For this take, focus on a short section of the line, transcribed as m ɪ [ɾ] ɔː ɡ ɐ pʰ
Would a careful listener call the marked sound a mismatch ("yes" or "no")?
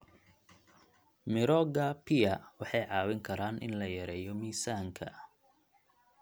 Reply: no